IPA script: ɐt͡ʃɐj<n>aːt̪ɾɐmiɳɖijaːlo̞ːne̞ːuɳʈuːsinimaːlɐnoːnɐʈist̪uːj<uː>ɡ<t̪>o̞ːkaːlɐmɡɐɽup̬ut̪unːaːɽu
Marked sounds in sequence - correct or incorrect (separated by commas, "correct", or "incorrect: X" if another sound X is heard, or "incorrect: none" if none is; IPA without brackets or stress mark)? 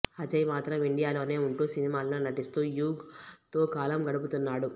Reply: incorrect: m, correct, correct